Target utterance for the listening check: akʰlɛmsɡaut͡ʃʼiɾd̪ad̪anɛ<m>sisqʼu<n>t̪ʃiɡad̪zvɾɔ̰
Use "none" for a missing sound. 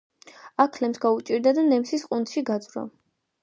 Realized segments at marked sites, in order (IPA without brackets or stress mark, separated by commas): m, n